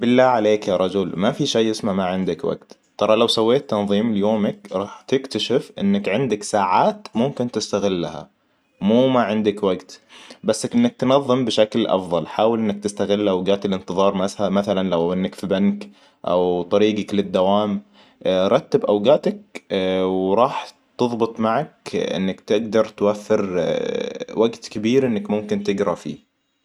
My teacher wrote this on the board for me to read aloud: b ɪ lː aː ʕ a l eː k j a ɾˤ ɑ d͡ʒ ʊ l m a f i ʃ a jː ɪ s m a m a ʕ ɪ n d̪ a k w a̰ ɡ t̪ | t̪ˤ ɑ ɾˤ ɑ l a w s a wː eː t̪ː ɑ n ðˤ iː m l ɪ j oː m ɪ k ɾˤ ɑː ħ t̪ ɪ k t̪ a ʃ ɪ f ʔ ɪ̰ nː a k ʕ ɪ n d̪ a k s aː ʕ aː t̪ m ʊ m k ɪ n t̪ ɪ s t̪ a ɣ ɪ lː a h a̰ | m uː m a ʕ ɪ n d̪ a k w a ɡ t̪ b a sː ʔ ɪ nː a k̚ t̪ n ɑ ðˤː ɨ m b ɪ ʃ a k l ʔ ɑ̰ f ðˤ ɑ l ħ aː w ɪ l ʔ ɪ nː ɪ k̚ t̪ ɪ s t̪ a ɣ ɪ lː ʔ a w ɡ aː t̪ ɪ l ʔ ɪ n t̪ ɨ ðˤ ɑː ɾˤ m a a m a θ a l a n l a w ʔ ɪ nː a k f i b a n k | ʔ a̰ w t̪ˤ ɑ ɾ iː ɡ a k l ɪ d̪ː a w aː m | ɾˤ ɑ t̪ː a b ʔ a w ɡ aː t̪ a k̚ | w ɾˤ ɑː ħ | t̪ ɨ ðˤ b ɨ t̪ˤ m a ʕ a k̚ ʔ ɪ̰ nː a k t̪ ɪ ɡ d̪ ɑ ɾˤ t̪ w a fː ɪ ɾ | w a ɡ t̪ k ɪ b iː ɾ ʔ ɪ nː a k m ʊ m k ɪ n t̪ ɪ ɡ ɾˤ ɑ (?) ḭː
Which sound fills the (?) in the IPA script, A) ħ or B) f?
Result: B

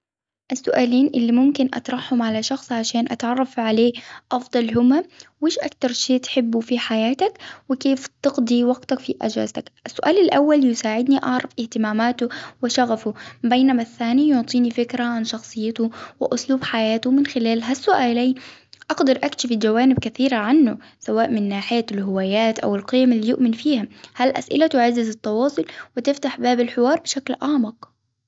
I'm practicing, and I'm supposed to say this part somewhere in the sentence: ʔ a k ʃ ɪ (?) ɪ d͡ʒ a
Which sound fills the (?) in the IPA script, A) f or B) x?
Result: A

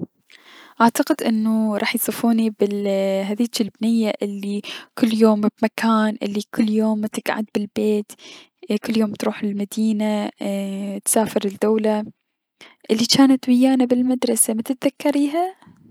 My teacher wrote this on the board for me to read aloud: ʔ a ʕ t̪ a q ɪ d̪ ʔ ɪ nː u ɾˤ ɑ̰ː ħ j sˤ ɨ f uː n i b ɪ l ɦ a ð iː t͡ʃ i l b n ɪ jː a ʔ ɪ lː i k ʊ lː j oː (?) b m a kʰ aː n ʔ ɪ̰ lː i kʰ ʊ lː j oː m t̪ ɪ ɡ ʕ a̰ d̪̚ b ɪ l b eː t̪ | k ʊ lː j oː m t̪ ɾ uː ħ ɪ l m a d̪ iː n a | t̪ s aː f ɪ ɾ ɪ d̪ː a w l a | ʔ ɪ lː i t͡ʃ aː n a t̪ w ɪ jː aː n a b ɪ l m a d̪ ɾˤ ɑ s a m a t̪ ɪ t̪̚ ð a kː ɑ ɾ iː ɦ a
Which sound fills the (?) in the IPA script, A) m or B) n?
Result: A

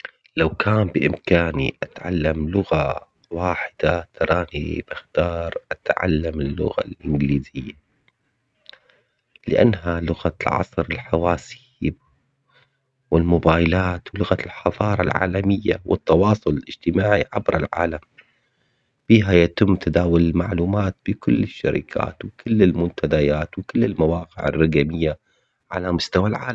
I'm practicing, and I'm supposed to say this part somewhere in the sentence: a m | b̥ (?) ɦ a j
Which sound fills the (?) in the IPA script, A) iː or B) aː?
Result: A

